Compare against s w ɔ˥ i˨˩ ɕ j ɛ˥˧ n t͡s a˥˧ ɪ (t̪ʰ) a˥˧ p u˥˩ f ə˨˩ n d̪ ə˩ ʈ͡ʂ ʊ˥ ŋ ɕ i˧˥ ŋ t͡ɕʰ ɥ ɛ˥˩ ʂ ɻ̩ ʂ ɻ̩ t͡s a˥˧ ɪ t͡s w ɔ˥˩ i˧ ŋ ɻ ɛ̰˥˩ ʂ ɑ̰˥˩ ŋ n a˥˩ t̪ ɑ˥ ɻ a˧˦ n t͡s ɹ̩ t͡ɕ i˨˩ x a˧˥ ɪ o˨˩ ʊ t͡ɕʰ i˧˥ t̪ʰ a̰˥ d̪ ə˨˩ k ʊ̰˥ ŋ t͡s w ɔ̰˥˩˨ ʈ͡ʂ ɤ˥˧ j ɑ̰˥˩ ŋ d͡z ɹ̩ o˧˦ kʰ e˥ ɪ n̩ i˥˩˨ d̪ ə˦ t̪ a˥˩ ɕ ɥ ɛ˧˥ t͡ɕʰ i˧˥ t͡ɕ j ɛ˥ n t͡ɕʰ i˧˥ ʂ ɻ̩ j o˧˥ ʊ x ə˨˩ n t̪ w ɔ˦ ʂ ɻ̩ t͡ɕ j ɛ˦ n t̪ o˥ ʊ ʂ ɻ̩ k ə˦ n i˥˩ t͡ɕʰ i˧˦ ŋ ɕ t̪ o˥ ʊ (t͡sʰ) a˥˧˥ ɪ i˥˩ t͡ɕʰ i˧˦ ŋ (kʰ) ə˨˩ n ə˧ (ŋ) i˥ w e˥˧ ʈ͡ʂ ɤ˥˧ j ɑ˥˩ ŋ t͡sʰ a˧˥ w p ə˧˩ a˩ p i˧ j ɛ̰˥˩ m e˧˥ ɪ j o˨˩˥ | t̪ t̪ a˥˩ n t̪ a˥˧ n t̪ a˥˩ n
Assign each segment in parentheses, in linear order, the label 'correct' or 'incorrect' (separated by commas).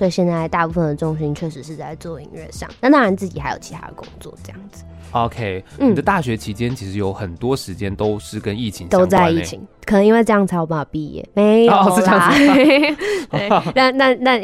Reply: incorrect, incorrect, correct, correct